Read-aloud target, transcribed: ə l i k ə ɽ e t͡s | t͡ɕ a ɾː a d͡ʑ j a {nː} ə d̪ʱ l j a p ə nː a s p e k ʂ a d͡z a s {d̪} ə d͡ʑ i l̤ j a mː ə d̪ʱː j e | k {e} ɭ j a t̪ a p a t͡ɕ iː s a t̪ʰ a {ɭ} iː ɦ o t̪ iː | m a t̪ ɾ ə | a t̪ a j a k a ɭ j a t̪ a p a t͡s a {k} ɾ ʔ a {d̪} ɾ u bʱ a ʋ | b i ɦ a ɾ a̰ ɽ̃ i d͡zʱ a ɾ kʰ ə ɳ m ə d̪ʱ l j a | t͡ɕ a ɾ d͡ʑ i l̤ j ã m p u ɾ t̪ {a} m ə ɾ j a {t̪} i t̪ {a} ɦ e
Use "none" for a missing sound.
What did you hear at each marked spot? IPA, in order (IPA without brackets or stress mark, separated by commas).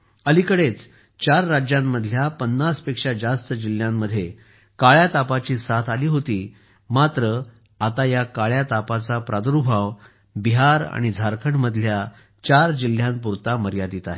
mː, t̪, a, l, p, d̪, a, d̪, a